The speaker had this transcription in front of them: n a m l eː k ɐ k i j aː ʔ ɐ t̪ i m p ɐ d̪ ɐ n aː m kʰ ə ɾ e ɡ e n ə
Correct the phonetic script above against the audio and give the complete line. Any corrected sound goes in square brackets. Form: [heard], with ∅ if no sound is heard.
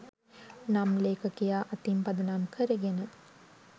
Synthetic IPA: n a m l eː k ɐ k i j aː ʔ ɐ t̪ i m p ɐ d̪ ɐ n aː m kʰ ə ɾ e ɡ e n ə